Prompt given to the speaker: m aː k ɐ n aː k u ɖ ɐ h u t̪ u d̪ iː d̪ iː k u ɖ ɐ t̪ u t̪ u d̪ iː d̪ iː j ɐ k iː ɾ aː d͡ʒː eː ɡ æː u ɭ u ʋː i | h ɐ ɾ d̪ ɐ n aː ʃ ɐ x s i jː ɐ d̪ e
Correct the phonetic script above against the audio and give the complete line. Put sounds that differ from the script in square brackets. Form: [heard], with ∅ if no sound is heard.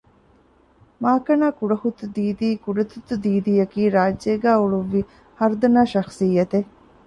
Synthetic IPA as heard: m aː k ɐ n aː k u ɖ ɐ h u t̪ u d̪ iː d̪ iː k u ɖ ɐ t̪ u t̪ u d̪ iː d̪ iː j ɐ k iː ɾ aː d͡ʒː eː ɡ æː u ɭ u ʋː i | h ɐ ɾ d̪ ɐ n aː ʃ ɐ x s i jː ɐ [t̪] e